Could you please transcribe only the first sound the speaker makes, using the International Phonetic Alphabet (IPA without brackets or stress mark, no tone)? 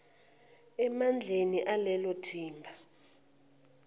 ɛ